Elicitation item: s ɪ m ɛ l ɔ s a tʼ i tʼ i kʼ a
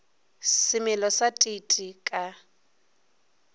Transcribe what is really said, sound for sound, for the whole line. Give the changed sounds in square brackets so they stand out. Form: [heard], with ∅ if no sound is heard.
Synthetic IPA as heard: s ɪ m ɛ l ɔ s a tʼ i tʼ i kʼ a